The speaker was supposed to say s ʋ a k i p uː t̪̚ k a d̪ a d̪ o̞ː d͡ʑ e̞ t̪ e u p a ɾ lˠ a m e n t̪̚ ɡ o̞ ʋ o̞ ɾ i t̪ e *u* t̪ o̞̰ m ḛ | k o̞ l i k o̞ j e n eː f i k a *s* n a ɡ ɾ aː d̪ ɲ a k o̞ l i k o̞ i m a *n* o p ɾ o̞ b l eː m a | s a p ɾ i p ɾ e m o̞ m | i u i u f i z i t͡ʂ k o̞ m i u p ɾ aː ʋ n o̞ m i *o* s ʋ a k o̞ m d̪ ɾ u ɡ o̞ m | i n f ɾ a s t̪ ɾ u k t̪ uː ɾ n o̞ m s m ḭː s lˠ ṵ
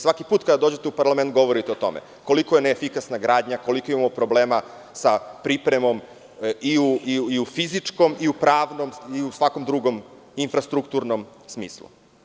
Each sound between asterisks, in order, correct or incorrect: incorrect, correct, incorrect, incorrect

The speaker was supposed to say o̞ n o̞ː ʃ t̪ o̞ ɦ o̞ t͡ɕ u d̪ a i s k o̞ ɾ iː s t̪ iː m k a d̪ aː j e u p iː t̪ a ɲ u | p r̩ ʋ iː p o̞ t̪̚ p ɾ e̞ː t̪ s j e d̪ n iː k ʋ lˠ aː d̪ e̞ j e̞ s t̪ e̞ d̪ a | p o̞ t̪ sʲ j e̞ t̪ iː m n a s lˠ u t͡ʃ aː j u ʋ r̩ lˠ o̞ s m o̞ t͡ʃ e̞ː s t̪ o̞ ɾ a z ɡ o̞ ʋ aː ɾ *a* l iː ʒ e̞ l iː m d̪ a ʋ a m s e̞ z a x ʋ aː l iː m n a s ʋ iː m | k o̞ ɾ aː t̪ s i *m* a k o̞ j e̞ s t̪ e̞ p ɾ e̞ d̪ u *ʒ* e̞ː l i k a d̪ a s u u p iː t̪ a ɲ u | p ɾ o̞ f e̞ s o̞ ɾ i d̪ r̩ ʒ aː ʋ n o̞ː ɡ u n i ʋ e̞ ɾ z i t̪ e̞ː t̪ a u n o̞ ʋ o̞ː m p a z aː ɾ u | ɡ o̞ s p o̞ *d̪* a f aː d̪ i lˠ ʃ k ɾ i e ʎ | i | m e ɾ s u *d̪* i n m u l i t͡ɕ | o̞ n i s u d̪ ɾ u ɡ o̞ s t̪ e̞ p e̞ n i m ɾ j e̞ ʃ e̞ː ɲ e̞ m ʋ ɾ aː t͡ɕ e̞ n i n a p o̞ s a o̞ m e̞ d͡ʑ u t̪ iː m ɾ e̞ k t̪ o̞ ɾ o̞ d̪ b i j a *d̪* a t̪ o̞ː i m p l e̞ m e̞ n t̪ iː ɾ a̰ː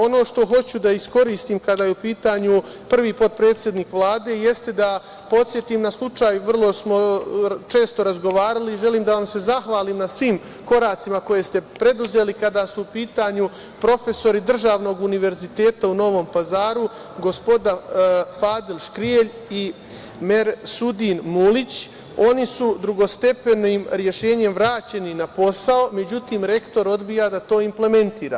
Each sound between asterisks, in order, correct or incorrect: correct, correct, incorrect, correct, correct, correct

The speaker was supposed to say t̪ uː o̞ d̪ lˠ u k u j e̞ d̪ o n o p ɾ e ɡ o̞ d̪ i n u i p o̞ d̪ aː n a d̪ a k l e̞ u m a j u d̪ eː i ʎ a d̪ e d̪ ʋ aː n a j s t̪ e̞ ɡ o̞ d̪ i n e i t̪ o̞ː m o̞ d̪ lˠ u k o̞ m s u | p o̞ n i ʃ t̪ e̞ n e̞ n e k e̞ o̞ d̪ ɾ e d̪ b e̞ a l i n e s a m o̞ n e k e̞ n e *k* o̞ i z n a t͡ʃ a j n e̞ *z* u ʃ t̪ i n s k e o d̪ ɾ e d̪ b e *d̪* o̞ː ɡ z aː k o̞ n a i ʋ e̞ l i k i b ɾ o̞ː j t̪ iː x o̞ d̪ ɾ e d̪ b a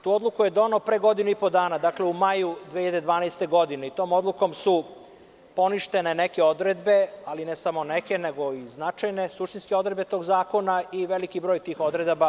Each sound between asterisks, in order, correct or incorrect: incorrect, incorrect, incorrect

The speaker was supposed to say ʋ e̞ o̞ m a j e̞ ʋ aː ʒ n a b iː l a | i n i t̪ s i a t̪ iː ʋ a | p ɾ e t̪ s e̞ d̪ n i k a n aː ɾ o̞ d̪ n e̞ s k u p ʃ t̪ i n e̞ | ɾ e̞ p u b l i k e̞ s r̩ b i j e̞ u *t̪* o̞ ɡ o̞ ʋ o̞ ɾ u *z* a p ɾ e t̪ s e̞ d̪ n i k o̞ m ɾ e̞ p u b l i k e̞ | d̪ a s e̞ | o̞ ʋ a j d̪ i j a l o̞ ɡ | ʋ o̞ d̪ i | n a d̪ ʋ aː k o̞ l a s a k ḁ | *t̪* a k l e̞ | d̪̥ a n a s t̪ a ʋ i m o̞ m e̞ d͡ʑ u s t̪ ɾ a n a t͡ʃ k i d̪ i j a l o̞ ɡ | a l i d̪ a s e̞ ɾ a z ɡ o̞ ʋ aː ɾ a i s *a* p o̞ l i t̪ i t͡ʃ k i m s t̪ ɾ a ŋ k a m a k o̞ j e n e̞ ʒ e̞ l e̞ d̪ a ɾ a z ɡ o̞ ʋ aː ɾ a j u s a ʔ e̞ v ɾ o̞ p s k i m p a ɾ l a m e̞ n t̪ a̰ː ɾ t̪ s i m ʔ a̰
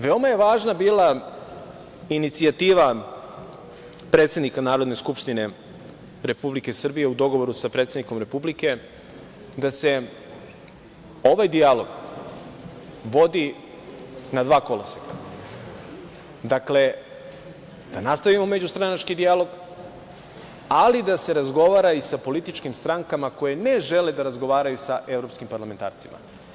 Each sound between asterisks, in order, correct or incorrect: incorrect, incorrect, incorrect, correct

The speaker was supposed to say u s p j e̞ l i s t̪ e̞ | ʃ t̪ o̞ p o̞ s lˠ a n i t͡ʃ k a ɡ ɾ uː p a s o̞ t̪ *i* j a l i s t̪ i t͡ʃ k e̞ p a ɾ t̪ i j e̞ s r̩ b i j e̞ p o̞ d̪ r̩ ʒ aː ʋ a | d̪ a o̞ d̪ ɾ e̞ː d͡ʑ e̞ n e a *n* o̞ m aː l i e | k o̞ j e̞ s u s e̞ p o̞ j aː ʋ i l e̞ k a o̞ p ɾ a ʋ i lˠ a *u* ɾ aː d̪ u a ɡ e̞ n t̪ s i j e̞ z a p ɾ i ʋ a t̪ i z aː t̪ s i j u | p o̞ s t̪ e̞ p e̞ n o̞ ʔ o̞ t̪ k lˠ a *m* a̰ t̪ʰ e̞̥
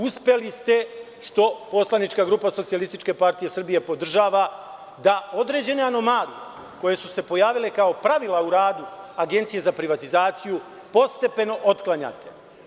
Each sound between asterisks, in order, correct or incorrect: correct, correct, correct, incorrect

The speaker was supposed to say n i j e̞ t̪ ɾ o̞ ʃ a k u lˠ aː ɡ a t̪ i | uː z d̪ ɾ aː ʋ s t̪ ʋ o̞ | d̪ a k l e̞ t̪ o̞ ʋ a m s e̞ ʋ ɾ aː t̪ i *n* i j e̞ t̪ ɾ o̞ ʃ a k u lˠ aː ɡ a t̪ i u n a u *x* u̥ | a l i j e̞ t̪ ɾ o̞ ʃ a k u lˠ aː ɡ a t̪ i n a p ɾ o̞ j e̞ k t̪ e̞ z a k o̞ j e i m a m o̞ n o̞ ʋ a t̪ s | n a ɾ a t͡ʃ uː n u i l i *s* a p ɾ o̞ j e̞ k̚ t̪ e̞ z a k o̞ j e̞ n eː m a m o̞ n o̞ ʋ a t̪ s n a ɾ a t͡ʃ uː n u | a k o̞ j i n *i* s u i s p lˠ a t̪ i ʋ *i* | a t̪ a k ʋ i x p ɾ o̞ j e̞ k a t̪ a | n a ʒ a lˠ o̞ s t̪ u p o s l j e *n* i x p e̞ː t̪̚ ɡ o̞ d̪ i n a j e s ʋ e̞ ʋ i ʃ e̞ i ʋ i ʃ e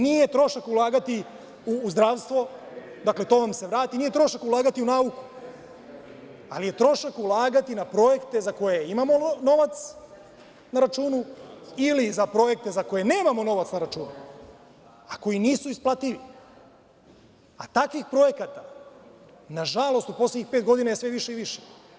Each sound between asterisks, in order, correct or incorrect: correct, incorrect, incorrect, incorrect, correct, incorrect

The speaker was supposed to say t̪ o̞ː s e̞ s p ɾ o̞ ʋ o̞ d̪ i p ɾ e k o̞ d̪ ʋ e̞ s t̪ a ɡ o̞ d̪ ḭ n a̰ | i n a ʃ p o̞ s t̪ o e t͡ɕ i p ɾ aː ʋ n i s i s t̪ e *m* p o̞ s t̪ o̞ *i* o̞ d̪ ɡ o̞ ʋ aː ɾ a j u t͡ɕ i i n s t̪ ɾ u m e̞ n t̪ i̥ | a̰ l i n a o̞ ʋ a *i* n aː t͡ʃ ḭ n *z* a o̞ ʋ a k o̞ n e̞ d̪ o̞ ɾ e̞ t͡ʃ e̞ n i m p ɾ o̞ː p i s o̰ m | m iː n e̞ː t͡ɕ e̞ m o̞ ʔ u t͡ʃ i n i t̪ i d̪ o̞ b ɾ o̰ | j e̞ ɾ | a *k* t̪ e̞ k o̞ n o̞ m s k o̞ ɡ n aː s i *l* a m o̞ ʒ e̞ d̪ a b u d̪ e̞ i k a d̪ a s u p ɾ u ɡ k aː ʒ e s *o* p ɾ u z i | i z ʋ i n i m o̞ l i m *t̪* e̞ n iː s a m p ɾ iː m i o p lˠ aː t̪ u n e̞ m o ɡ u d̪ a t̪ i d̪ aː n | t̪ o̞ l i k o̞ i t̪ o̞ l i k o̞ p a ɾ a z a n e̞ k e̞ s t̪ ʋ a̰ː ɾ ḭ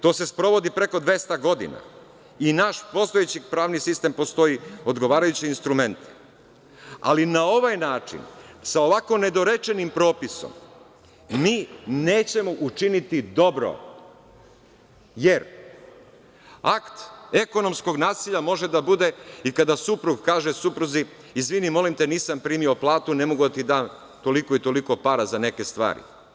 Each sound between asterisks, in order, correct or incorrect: correct, correct, incorrect, incorrect, correct, incorrect, incorrect, correct

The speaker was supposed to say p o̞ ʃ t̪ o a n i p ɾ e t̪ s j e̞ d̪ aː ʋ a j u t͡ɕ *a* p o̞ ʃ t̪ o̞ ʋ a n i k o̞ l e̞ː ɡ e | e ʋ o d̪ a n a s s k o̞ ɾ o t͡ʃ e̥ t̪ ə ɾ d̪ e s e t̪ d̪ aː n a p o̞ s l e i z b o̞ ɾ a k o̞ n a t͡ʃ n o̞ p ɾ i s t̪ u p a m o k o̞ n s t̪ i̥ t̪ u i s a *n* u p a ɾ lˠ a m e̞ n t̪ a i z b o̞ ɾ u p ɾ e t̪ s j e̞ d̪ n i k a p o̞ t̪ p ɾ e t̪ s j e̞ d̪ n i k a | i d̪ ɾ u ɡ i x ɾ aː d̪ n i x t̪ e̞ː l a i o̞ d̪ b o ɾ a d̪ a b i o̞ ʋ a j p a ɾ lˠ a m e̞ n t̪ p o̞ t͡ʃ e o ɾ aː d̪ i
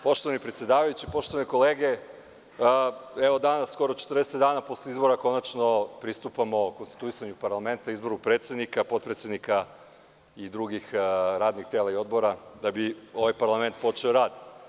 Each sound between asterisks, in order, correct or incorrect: incorrect, incorrect

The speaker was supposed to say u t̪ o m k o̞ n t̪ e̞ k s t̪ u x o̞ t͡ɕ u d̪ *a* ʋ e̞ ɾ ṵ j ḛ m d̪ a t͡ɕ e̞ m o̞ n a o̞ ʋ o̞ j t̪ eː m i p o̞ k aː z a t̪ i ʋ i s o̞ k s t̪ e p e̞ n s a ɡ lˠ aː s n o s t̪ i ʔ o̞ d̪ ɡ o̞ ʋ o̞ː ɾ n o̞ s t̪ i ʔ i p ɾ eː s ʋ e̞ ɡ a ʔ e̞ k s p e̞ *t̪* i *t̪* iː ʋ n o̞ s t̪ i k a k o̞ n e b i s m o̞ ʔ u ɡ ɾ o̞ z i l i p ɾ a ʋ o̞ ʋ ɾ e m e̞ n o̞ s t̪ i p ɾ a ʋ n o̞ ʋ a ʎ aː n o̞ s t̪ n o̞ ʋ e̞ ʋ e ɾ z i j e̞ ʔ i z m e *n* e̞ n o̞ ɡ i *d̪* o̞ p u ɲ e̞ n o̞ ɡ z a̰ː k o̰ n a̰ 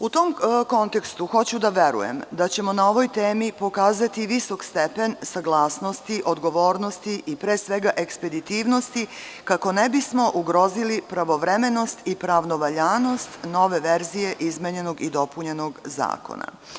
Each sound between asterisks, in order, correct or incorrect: correct, incorrect, correct, incorrect, correct

